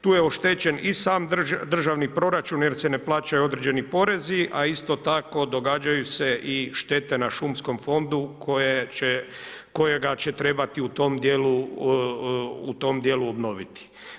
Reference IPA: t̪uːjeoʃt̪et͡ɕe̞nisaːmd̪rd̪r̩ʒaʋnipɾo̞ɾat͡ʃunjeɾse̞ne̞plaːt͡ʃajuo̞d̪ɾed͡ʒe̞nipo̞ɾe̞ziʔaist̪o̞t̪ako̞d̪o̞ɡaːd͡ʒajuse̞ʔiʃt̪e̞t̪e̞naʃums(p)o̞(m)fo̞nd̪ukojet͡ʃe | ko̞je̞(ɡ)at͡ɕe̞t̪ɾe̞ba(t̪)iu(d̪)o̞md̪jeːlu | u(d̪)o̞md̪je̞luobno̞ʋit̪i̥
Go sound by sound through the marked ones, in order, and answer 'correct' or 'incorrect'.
incorrect, correct, correct, correct, incorrect, incorrect

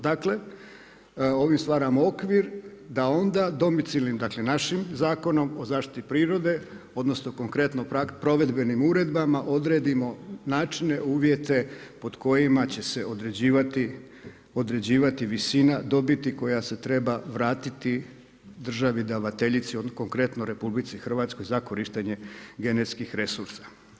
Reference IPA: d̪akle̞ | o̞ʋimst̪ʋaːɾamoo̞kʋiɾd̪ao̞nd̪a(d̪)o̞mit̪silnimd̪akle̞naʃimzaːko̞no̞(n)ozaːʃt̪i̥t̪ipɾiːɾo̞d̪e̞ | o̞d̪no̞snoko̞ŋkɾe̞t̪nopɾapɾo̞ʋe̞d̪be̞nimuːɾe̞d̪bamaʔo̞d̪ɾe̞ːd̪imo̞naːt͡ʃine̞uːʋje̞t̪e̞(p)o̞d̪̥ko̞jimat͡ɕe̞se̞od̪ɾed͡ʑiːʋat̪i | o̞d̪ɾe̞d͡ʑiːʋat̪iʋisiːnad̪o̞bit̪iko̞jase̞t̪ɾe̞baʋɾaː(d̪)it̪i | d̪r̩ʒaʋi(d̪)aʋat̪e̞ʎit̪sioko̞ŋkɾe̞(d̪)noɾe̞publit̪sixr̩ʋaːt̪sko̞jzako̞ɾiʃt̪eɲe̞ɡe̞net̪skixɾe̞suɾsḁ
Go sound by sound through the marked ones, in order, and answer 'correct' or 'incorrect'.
correct, incorrect, correct, incorrect, correct, incorrect

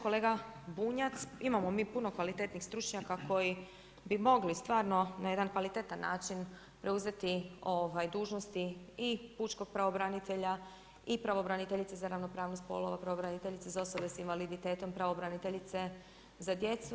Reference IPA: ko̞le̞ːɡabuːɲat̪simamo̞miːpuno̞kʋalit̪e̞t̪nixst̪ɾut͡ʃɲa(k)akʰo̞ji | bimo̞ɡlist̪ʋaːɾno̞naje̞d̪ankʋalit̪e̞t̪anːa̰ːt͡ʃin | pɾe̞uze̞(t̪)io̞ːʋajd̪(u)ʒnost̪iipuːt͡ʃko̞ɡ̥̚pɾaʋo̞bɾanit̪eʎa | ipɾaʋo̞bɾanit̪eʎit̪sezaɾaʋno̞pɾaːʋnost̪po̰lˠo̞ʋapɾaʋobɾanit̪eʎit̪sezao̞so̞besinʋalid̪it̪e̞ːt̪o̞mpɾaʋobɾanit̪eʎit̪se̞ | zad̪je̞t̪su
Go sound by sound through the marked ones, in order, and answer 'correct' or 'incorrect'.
correct, correct, incorrect

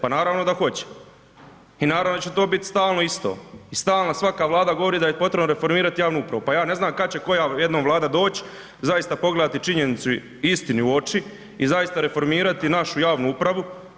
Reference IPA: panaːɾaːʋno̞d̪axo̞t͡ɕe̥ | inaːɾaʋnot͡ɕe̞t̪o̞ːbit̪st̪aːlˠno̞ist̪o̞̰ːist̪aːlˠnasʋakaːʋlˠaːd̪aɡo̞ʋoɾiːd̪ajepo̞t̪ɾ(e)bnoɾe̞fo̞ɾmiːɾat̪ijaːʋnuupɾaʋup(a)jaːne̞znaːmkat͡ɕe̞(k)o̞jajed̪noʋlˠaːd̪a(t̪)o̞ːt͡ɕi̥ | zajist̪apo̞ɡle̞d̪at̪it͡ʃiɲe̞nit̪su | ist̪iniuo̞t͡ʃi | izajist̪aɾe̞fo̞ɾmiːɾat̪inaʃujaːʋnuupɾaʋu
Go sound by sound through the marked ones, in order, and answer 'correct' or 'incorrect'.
correct, correct, correct, incorrect

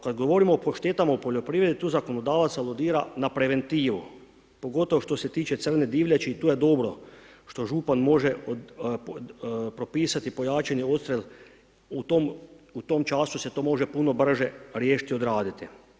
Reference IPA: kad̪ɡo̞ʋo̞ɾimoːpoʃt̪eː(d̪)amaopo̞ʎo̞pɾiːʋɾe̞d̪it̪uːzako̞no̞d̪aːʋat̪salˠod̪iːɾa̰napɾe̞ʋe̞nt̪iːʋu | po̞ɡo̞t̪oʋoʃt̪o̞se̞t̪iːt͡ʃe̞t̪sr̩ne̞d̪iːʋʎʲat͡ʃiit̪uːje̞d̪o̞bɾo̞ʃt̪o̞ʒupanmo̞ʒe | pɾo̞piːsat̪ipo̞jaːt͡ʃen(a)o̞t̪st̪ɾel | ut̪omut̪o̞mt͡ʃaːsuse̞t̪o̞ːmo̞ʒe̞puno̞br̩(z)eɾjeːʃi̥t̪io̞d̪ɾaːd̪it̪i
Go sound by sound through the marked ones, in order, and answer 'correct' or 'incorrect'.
incorrect, incorrect, incorrect

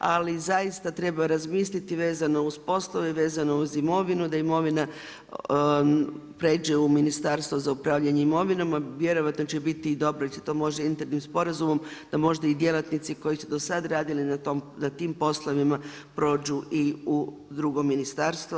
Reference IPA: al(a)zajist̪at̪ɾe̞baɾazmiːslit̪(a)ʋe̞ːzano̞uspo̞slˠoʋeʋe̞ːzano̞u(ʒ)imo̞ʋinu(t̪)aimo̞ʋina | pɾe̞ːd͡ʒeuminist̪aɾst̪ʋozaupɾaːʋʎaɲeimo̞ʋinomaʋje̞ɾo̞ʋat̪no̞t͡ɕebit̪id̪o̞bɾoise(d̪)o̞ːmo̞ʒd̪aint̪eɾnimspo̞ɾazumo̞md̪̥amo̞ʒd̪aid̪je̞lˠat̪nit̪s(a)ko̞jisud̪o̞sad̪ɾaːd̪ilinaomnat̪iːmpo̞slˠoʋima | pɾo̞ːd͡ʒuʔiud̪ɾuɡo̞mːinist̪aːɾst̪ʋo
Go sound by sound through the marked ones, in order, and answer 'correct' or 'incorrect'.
incorrect, incorrect, incorrect, incorrect, incorrect, incorrect

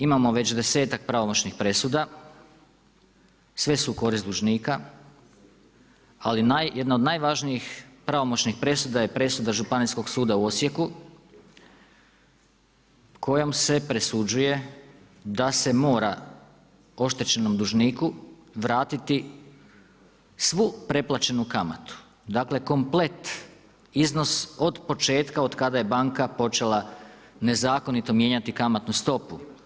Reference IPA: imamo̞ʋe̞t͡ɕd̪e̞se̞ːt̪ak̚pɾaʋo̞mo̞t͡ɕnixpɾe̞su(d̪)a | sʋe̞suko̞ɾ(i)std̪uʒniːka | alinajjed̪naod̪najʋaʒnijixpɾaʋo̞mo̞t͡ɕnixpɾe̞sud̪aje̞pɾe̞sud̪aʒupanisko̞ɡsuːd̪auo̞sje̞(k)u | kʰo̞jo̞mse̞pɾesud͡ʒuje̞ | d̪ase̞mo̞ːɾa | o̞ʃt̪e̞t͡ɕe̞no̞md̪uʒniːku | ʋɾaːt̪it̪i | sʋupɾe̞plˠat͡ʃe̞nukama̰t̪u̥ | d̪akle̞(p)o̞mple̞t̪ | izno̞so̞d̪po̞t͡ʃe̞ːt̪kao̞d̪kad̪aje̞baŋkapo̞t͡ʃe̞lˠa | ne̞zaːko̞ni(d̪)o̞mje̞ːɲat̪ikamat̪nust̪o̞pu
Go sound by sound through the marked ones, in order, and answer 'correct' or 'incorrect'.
correct, correct, correct, incorrect, incorrect

